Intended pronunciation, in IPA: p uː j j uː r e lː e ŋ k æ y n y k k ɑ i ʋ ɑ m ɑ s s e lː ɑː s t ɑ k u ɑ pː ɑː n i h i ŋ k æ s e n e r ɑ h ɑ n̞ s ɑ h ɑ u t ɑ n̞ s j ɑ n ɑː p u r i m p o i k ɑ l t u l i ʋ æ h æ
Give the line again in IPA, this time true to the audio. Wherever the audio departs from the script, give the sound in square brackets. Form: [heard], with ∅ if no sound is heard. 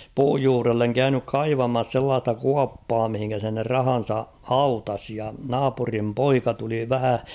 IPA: p uː j j uː r e lː e ŋ k æ y n y k k ɑ i ʋ ɑ m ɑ s s e lː ɑː s t ɑ k u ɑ pː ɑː [m] i h i ŋ k æ s e n e r ɑ h ɑ n̞ s ɑ h ɑ u t ɑ [∅] s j ɑ n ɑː p u r i m p o i k ɑ [∅] t u l i ʋ æ h æ